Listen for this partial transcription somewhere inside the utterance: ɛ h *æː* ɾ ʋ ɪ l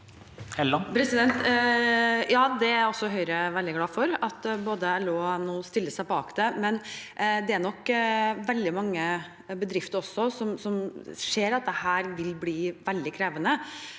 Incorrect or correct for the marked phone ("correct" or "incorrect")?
correct